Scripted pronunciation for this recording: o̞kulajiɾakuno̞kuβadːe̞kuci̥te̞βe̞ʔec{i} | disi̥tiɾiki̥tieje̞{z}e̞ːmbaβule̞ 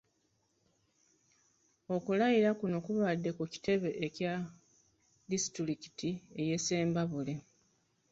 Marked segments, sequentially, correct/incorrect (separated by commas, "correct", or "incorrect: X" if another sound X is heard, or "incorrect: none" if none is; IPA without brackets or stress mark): incorrect: a, incorrect: s